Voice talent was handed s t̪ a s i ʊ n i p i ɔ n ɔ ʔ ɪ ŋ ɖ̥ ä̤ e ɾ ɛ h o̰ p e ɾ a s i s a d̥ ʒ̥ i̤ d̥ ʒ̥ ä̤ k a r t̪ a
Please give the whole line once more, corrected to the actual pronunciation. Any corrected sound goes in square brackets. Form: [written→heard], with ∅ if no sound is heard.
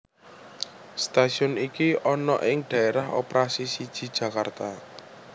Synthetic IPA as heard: s t̪ a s i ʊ n i [p→k] i ɔ n ɔ ʔ ɪ ŋ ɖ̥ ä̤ e ɾ [ɛ→a] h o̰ p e ɾ a s i s [a→i] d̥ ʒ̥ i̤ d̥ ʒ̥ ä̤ k a r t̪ a